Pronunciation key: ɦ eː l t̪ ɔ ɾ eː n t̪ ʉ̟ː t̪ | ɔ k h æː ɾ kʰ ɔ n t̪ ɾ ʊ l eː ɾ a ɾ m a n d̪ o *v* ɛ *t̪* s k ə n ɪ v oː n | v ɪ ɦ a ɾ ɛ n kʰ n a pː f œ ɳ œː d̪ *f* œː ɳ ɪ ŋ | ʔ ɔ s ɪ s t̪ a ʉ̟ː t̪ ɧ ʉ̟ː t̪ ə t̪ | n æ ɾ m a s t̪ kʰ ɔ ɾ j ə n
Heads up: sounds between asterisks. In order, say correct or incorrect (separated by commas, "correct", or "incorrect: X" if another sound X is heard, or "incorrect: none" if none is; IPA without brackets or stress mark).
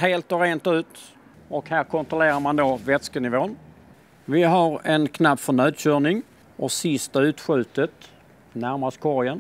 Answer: correct, correct, incorrect: ɕ